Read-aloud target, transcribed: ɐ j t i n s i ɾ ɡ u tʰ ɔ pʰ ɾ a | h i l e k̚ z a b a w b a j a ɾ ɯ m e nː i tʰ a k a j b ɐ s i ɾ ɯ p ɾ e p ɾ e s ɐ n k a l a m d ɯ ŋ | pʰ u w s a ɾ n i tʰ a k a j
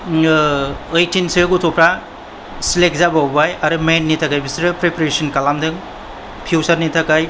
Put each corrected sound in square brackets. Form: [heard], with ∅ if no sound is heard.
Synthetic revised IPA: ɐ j t i n s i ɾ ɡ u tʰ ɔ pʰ ɾ a | [s] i l e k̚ z a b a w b a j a ɾ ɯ m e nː i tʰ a k a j b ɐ s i ɾ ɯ p ɾ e p ɾ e s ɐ n k a l a m d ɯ ŋ | pʰ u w s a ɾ n i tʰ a k a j